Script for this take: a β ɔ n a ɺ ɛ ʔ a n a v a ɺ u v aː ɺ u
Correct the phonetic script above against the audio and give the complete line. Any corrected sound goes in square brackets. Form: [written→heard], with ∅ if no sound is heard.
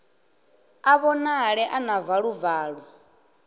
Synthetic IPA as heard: a β ɔ n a ɺ ɛ ʔ a n a v a ɺ u v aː ɺ u